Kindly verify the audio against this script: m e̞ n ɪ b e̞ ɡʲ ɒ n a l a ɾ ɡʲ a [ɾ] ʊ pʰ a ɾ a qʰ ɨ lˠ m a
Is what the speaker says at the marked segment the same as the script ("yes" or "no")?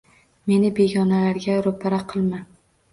yes